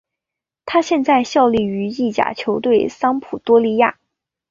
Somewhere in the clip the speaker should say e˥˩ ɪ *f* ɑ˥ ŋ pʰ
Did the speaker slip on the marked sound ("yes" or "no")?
yes